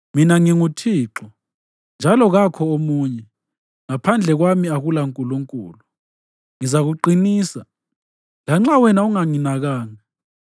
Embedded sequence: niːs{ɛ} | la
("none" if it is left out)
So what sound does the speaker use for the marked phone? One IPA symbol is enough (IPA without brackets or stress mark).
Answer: a